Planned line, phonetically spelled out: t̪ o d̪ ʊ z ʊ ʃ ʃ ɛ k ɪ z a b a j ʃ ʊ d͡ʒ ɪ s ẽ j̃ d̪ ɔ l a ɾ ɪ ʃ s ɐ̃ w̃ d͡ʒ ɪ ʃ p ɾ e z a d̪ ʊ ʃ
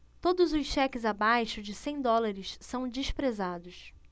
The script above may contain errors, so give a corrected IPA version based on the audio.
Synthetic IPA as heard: t̪ o d̪ ʊ z ʊ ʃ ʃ ɛ k ɪ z a b a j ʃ ʊ d͡ʒ ɪ s ẽ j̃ d̪ ɔ l a ɾ ɪ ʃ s ɐ̃ w̃ d͡ʒ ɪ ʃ p ɾ e z a d̪ ʊ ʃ